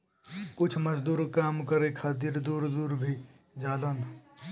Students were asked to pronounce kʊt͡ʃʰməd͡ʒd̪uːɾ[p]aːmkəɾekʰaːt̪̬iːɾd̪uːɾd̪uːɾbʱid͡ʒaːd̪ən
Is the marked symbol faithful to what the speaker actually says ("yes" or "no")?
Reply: no